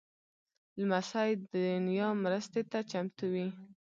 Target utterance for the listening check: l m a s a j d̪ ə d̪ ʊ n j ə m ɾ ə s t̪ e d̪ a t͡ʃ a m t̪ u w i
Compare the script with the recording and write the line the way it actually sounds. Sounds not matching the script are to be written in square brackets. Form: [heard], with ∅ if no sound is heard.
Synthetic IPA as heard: l m a s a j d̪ ə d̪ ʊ n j [ɑ] m ɾ ə s t̪ e [t̪] a t͡ʃ a m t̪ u w i